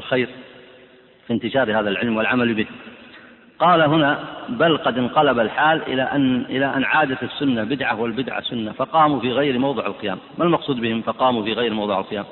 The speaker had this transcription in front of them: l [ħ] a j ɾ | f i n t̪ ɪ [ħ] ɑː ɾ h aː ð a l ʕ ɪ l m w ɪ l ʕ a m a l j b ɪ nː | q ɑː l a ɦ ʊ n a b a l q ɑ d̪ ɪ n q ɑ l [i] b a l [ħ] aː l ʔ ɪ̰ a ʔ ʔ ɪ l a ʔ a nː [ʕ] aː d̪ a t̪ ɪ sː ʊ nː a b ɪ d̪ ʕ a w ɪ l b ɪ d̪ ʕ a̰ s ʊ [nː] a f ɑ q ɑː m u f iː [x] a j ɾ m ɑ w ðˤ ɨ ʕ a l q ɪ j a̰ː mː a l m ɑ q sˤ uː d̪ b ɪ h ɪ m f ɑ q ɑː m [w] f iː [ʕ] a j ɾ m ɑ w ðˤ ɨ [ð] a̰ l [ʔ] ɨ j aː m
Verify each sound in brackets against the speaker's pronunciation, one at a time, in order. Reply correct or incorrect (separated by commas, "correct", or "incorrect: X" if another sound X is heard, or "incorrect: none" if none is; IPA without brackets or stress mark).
incorrect: x, incorrect: ʃ, incorrect: a, correct, correct, correct, incorrect: ɣ, incorrect: u, incorrect: ɣ, incorrect: ʕ, incorrect: q